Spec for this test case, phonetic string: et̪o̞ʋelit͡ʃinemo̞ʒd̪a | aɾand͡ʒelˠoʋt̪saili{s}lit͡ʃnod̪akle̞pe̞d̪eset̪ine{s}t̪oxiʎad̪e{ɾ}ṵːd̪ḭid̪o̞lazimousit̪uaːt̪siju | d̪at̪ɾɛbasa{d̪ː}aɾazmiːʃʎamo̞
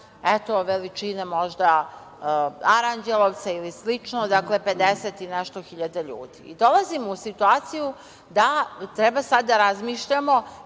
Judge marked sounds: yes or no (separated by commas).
yes, no, no, yes